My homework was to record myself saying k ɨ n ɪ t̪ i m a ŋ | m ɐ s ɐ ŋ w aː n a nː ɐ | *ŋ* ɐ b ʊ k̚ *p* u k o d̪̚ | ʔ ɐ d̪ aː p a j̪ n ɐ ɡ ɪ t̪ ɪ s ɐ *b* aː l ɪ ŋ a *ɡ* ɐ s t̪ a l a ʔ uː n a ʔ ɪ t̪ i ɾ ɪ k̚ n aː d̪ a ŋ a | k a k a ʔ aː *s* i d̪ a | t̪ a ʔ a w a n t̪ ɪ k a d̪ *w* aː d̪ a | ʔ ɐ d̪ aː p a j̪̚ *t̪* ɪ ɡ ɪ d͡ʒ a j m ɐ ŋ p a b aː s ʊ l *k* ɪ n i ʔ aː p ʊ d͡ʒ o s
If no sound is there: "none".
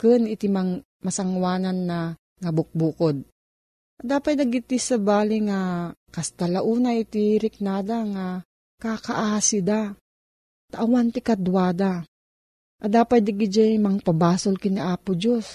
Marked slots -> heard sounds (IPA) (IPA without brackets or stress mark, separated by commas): ŋ, b, b, k, s, w, d̪, k